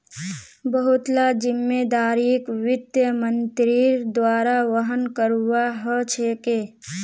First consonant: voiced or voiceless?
voiced